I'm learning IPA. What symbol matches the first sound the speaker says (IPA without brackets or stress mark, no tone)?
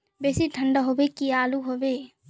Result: b